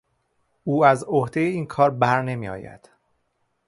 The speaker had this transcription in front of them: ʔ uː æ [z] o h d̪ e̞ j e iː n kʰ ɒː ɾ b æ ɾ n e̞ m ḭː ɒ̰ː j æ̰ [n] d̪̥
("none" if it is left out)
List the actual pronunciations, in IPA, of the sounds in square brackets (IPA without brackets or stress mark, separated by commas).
z, none